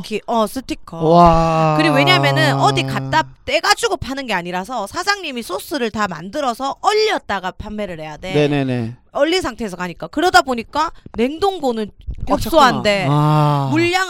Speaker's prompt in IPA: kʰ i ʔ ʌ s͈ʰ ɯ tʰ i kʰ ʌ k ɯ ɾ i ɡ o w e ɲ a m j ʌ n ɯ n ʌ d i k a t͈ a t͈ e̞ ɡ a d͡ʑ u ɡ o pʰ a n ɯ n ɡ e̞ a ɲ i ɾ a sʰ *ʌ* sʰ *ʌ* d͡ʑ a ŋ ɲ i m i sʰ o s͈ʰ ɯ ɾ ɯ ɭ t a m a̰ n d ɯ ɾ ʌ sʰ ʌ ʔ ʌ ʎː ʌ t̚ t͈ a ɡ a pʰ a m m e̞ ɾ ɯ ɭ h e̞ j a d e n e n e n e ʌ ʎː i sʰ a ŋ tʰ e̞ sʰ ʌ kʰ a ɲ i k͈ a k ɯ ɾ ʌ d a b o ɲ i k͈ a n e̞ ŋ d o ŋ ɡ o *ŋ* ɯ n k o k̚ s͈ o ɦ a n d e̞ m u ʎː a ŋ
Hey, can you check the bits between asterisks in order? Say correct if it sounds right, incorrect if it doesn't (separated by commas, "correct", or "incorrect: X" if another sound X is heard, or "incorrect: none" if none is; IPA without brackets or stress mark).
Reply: correct, incorrect: a, incorrect: n